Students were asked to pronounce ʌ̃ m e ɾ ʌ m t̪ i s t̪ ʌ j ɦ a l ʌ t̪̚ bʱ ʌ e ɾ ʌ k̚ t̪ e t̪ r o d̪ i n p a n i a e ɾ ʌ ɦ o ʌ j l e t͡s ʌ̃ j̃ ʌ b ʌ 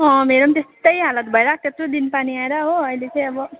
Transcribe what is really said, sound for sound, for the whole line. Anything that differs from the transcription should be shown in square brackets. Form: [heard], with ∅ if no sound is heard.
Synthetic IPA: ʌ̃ m e ɾ ʌ m t̪ [e] s t̪ ʌ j ɦ a l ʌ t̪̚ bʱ ʌ e ɾ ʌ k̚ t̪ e t̪ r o d̪ i n p a n i a e ɾ ʌ ɦ o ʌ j l e t͡s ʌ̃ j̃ ʌ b ʌ